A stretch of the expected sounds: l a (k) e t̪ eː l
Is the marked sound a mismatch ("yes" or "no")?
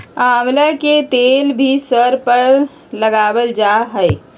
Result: no